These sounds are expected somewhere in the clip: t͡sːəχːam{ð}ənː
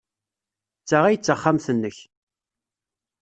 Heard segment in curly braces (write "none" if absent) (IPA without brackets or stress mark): θ